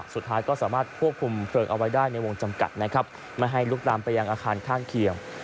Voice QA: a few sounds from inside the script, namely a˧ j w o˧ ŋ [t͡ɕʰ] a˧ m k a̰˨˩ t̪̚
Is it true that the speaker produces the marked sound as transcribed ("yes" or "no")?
no